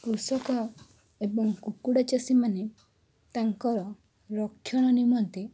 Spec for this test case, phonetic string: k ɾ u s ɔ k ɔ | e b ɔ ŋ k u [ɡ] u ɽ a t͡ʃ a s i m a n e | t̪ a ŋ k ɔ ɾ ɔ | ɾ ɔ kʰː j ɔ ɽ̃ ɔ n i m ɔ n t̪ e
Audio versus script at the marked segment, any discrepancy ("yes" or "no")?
yes